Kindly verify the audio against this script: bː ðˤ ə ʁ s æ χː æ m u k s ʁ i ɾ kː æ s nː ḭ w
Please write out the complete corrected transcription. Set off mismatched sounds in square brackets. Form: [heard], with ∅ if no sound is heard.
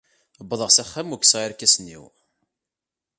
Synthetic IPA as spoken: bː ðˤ ə ʁ s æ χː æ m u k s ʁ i ɾ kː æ s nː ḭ w